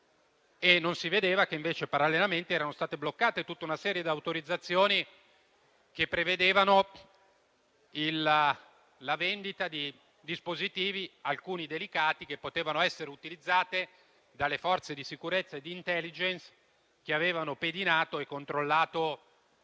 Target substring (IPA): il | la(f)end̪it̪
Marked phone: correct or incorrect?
incorrect